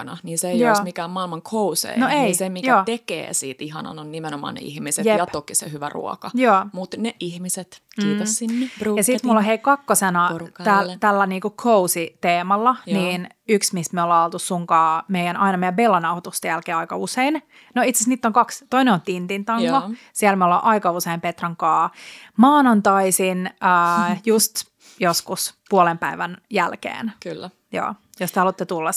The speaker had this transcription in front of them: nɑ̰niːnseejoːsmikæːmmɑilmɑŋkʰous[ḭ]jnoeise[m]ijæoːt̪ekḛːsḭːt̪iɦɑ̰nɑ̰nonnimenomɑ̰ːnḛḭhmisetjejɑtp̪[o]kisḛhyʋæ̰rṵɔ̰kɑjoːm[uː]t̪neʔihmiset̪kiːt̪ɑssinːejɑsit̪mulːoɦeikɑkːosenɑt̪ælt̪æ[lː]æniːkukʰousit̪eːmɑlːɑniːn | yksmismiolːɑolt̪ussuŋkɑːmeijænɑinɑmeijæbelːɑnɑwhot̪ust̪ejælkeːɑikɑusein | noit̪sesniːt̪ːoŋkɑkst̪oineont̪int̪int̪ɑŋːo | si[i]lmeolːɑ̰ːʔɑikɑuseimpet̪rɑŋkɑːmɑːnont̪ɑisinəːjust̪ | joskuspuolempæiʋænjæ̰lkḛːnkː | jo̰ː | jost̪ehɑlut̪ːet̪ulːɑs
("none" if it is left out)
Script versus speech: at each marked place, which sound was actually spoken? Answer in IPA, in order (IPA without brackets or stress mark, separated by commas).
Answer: ḛ, m, o, u, lː, æ